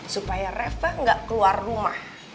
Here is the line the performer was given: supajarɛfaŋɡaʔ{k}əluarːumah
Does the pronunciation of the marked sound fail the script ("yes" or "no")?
no